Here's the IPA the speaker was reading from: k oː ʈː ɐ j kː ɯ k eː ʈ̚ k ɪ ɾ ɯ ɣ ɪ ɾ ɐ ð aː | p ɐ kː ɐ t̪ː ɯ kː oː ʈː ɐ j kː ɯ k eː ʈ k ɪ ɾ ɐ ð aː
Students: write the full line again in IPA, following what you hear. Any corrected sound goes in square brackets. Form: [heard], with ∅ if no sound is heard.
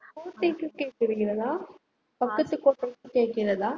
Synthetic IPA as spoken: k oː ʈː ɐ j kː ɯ k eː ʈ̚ k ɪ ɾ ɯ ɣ ɪ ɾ ɐ ð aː | p ɐ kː ɐ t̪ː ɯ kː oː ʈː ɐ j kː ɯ k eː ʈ k ɪ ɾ ɐ ð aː

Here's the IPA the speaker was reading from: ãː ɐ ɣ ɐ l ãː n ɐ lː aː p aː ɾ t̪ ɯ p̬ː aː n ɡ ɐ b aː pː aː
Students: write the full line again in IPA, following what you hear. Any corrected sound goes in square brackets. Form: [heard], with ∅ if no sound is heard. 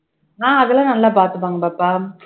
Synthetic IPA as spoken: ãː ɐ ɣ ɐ l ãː n ɐ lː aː p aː ɾ t̪ ɯ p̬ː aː [ŋ] ɡ ɐ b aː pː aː

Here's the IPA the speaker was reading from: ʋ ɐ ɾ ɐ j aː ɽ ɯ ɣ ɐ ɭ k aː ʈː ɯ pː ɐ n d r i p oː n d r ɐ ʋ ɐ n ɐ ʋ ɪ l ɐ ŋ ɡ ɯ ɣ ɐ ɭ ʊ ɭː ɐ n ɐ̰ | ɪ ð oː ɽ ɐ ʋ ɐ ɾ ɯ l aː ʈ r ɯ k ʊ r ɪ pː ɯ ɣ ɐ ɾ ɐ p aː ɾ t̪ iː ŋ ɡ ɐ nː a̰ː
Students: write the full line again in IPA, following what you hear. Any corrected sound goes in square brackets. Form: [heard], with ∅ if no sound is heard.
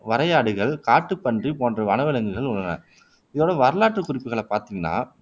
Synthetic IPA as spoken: ʋ ɐ ɾ ɐ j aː ɽ ɯ ɣ ɐ ɭ k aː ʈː ɯ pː ɐ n d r i p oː n d r ɐ ʋ ɐ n ɐ ʋ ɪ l ɐ ŋ ɡ ɯ ɣ ɐ ɭ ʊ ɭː ɐ n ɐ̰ | ɪ ð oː ɽ ɐ ʋ ɐ ɾ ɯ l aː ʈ r ɯ k ʊ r ɪ pː ɯ ɣ ɐ [ɭ] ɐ p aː ɾ t̪ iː ŋ ɡ ɐ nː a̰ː

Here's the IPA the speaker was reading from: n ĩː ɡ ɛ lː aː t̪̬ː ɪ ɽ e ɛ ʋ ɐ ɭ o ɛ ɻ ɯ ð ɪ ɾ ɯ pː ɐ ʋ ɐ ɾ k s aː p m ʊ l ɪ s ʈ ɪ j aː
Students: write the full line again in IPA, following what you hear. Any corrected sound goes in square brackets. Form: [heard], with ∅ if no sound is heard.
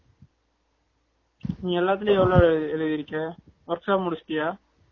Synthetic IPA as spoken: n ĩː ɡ ɛ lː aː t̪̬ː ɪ [l] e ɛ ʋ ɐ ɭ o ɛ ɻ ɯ ð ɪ ɾ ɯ [kː] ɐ ʋ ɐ ɾ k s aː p m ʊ [ɽ] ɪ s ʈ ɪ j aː

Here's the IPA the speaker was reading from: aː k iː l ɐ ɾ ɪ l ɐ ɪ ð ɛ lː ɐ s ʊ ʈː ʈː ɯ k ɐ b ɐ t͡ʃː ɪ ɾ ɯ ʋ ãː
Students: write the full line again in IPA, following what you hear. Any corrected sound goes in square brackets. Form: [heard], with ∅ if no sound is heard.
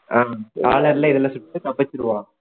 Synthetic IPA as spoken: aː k [aː] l ɐ ɾ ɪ l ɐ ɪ ð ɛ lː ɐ s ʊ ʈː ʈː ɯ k ɐ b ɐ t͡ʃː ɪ ɾ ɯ ʋ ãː

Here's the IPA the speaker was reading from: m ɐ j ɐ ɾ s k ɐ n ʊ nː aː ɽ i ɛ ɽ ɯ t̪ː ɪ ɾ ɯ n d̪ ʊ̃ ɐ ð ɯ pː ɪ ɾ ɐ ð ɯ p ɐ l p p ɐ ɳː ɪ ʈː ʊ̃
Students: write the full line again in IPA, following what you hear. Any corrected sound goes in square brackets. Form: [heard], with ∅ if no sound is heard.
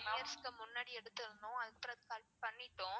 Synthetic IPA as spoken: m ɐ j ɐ ɾ s k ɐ [m] ʊ nː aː ɽ i ɛ ɽ ɯ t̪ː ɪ ɾ ɯ n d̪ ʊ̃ ɐ ð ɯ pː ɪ ɾ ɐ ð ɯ [k] ɐ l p p ɐ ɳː ɪ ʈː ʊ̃

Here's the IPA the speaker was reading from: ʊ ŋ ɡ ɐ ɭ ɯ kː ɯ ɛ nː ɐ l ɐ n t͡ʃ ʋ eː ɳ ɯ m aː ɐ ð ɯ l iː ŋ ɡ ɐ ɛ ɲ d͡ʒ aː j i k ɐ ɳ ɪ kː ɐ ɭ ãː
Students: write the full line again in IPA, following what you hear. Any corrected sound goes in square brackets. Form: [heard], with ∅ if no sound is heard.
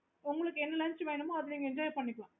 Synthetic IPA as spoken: ʊ ŋ ɡ ɐ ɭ ɯ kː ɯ ɛ nː ɐ l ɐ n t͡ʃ ʋ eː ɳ ɯ m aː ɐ ð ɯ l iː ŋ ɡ ɐ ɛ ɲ d͡ʒ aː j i [p] ɐ [ɳː] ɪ kː ɐ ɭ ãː

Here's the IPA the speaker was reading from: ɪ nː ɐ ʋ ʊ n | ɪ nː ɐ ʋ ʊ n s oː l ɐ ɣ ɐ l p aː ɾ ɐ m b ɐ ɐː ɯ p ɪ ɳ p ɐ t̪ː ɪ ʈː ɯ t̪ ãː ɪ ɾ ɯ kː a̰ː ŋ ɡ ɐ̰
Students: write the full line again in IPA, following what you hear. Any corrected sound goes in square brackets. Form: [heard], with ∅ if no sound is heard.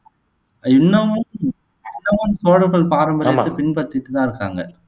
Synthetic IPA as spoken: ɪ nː ɐ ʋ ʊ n | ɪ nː ɐ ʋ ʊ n s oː [ɽ] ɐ ɣ ɐ [ɭ] p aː ɾ ɐ m b ɐ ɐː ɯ p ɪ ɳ p ɐ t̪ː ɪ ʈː ɯ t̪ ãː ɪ ɾ ɯ kː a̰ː ŋ ɡ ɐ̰

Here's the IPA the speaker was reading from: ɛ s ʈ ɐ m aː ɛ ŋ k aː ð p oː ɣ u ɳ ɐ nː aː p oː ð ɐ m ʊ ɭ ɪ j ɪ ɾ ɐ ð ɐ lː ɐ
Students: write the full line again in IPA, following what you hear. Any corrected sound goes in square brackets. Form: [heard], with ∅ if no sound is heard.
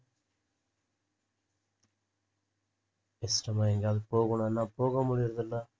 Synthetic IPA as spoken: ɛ s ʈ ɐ m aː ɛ ŋ [ɡ] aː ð p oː ɣ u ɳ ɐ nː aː p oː [ɣ] ɐ m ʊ [ɽ] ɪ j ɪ ɾ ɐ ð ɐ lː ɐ

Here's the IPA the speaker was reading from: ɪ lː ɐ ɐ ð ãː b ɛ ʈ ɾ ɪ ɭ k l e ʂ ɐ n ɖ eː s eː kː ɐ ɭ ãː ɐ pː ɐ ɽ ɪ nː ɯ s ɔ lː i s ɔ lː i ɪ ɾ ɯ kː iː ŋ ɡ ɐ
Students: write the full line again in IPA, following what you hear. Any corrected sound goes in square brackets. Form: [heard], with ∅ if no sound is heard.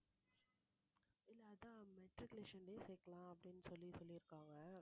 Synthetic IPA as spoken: ɪ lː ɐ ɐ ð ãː [m] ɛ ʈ ɾ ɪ [∅] k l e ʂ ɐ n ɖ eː s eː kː ɐ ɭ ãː ɐ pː ɐ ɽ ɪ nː ɯ s ɔ lː i s ɔ lː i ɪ ɾ ɯ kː [aː] ŋ ɡ ɐ

